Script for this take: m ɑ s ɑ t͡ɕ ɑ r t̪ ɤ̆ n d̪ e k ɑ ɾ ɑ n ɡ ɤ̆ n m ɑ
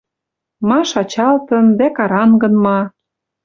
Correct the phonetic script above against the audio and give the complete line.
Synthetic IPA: m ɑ ʃ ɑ t͡ɕ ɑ l t̪ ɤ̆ n d̪ æ k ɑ ɾ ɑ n ɡ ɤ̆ n m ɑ